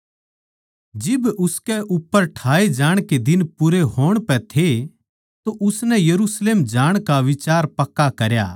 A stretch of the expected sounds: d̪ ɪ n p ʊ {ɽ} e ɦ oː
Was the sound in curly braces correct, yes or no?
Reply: no